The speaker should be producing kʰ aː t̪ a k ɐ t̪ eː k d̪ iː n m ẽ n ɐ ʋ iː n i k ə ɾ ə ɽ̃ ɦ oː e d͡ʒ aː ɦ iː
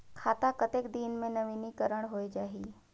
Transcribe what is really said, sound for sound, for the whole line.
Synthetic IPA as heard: kʰ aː t̪ a k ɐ t̪ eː k d̪ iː n m ẽ n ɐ ʋ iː n i k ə ɾ ə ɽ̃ ɦ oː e d͡ʒ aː ɦ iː